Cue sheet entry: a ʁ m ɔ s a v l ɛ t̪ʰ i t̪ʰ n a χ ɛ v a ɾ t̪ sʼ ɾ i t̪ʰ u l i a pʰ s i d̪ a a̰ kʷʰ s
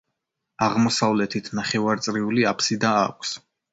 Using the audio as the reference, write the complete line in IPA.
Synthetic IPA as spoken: a ʁ m ɔ s a v l ɛ t̪ʰ i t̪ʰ n a χ ɛ v a ɾ t̪ sʼ ɾ i u l i a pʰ s i d̪ a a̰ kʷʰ s